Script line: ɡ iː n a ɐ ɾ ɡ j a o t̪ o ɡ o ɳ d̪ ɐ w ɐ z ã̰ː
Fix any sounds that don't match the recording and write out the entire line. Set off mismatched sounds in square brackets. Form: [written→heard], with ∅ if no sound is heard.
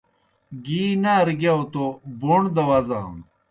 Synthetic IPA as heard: ɡ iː n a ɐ ɾ ɡ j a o t̪ o [ɡ→b] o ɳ d̪ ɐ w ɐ z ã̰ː